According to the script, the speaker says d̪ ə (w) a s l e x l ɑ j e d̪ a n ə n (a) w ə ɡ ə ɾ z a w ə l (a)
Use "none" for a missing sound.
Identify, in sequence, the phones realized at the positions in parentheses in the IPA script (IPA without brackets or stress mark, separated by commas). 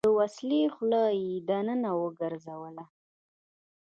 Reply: w, a, a